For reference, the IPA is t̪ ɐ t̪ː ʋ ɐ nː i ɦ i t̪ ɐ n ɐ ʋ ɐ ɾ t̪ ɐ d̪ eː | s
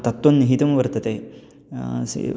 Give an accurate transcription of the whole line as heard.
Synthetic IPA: t̪ ɐ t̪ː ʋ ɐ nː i ɦ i t̪ ɐ m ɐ ʋ ɐ ɾ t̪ ɐ t̪ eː | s